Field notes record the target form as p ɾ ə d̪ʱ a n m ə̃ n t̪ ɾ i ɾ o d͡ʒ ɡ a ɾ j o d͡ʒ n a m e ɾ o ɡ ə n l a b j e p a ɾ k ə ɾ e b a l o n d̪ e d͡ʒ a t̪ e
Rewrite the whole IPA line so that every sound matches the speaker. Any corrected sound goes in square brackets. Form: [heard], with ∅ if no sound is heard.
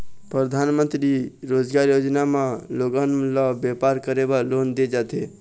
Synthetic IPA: p ɾ ə d̪ʱ a n m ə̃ n t̪ ɾ i ɾ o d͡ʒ ɡ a ɾ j o d͡ʒ n a m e [l] o ɡ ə n l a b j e p a ɾ k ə ɾ e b a l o n d̪ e d͡ʒ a t̪ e